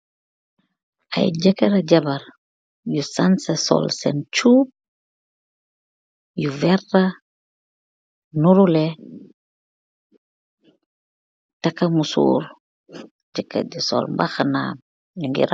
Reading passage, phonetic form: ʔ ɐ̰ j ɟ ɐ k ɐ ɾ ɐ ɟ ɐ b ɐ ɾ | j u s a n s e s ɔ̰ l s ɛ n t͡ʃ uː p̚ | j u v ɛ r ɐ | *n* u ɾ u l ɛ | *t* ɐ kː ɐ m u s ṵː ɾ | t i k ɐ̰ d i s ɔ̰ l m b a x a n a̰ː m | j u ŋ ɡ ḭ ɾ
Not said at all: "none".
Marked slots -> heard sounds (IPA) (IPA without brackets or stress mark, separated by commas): n, t